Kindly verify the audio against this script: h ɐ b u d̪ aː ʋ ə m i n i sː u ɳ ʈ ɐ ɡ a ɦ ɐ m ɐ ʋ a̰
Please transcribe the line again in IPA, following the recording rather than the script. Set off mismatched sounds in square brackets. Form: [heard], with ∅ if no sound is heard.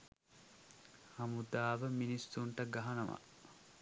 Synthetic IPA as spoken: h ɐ [m] u d̪ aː ʋ ə m i n i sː u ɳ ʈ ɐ ɡ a ɦ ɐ [n] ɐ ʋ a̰